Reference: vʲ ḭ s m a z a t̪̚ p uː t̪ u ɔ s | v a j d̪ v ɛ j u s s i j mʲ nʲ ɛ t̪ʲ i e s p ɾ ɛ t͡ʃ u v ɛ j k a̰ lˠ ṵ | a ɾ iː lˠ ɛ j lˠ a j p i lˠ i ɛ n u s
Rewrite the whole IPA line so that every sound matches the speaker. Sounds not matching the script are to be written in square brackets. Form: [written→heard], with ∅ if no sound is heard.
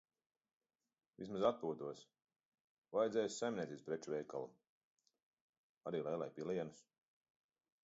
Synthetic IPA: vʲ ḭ s m a z a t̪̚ p uː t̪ u ɔ s | v a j d̪ [v→z] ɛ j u s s [i→a] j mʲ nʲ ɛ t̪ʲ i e s p ɾ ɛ t͡ʃ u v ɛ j k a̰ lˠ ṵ | a ɾ iː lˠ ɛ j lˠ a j p i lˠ i ɛ n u s